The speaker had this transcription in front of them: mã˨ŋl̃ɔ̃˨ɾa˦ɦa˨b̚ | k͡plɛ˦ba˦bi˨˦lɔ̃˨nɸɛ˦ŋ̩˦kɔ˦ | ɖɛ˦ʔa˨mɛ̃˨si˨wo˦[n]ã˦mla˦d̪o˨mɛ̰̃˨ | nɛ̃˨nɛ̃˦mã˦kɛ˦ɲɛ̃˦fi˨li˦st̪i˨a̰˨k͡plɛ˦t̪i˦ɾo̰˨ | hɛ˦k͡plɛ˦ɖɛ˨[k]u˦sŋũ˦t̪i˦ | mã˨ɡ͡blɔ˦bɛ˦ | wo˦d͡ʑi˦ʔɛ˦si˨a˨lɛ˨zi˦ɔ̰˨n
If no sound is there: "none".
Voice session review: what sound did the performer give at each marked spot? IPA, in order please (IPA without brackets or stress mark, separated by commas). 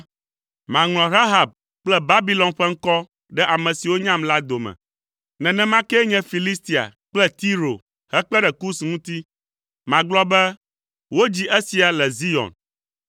ɲ, k